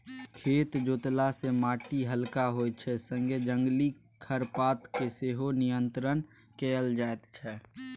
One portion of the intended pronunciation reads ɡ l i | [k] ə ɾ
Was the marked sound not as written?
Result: yes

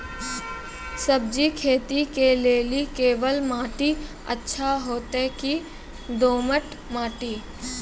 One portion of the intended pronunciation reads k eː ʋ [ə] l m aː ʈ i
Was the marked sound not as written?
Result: no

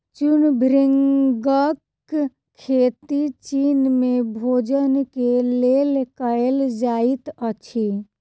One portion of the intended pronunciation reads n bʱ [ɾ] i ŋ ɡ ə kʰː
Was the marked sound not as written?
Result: no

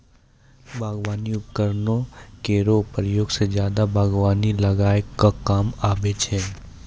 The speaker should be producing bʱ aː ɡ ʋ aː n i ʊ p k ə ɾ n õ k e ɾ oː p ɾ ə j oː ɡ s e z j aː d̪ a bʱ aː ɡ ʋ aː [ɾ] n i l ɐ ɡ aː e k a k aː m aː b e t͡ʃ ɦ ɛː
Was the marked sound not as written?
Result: yes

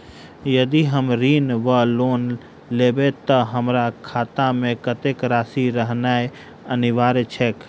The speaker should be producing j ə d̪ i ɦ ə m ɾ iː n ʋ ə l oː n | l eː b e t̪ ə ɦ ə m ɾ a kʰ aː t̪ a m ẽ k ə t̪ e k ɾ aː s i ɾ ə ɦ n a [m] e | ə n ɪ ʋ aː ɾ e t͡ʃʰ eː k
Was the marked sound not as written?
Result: yes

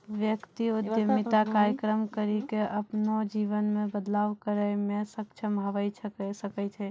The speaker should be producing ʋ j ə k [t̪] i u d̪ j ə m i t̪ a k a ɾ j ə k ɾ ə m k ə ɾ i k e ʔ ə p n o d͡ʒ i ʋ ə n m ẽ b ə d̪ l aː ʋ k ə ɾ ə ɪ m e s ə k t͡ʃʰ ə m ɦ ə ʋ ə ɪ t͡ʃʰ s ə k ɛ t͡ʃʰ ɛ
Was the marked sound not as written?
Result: no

